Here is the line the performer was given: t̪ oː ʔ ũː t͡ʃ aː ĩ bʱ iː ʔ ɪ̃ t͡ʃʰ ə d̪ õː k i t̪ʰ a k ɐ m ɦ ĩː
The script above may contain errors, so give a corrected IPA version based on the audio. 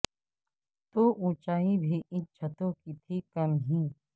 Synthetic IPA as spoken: t̪ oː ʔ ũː t͡ʃ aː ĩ bʱ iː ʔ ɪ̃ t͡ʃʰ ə t̪ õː k i t̪ʰ i k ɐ m ɦ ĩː

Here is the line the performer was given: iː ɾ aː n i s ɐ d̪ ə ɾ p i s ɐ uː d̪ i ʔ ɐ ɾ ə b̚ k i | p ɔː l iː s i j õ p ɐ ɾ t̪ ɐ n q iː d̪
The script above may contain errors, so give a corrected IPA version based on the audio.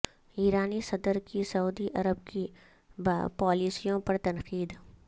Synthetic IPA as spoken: iː ɾ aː n i s ɐ d̪ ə ɾ k i s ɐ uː d̪ i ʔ ɐ ɾ ə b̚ k i | p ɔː l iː s i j õ p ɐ ɾ t̪ ɐ n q iː d̪

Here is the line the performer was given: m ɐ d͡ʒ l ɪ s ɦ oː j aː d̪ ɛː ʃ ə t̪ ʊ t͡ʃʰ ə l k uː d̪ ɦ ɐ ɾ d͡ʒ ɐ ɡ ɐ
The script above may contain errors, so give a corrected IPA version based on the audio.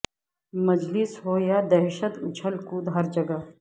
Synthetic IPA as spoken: m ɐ d͡ʒ l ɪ s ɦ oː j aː d̪ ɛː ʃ ə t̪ ʊ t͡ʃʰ ə l k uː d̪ ɦ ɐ ɾ d͡ʒ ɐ ɡ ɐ

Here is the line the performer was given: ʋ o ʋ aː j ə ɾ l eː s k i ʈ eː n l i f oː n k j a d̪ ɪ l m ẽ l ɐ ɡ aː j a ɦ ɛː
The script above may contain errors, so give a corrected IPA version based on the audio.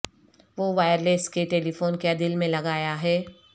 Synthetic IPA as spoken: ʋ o ʋ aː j ə ɾ l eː s k e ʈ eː l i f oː n k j a d̪ ɪ l m ẽ l ɐ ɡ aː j a ɦ ɛː

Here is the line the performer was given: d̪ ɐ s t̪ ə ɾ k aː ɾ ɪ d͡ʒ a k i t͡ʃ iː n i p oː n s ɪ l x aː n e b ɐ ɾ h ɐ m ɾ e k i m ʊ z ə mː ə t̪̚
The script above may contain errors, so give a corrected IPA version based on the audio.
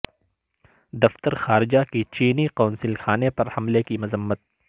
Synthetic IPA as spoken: d̪ ɐ f t̪ ə ɾ x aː ɾ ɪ d͡ʒ a k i t͡ʃ iː n i q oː n s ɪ l x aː n e p ɐ ɾ h ɐ m l e k i m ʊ z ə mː ə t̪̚

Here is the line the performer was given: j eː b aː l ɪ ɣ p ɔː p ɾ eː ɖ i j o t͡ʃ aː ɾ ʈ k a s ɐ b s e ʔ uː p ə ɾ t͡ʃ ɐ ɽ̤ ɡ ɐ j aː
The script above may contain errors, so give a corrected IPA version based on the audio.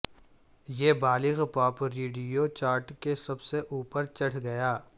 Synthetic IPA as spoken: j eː b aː l ɪ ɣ p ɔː p ɾ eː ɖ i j o t͡ʃ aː ɾ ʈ k e s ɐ b s e ʔ uː p ə ɾ t͡ʃ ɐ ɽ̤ ɡ ɐ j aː

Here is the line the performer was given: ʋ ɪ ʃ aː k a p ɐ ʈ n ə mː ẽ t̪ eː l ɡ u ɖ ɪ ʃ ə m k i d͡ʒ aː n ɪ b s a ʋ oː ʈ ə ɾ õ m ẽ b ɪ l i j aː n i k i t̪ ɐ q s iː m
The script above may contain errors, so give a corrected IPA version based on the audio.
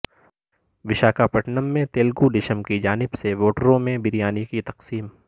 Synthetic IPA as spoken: ʋ ɪ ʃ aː k a p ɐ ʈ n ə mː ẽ t̪ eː l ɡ u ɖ ɪ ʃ ə m k i d͡ʒ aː n ɪ b s e ʋ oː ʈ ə ɾ õ m ẽ b ɪ ɾ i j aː n i k i t̪ ɐ q s iː m

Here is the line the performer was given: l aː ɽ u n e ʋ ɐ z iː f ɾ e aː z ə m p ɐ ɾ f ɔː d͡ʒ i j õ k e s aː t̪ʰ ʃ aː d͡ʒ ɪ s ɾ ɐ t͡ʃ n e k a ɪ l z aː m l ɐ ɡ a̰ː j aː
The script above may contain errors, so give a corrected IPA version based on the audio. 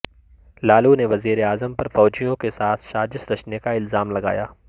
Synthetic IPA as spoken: l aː l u n e ʋ ɐ z iː ɾ e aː z ə m p ɐ ɾ f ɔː d͡ʒ i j õ k e s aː t̪ʰ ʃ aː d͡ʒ ɪ s ɾ ɐ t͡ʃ n e k a ɪ l z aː m l ɐ ɡ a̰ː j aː

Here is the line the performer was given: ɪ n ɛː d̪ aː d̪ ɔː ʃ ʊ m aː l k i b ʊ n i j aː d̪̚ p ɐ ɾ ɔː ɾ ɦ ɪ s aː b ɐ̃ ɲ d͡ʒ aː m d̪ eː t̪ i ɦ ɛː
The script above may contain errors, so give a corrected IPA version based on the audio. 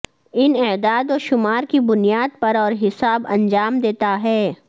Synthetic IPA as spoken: ɪ n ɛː d̪ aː d̪ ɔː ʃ ʊ m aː ɾ k i b ʊ n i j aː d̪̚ p ɐ ɾ ɔː ɾ ɦ ɪ s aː b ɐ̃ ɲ d͡ʒ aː m d̪ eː t̪ a ɦ ɛː

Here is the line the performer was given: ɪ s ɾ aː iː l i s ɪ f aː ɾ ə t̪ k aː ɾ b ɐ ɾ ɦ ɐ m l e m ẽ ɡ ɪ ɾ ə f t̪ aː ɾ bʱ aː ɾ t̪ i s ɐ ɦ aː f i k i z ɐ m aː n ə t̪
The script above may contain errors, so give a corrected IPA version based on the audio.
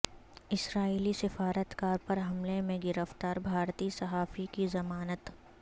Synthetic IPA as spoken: ɪ s ɾ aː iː l i s ɪ f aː ɾ ə t̪ k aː ɾ p ɐ ɾ ɦ ɐ m l e m ẽ ɡ ɪ ɾ ə f t̪ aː ɾ bʱ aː ɾ t̪ i s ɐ ɦ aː f i k i z ɐ m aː n ə t̪

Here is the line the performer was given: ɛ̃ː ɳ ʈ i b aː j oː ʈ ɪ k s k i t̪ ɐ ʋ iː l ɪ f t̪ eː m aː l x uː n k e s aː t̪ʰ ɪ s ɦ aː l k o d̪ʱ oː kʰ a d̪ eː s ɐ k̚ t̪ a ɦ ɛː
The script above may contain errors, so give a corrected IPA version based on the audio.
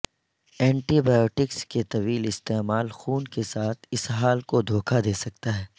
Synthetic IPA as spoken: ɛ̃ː ɳ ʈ i b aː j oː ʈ ɪ k s k e t̪ ɐ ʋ iː l ɪ s t̪ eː m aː l x uː n k e s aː t̪ʰ ɪ s ɦ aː l k o d̪ʱ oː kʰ a d̪ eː s ɐ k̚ t̪ a ɦ ɛː

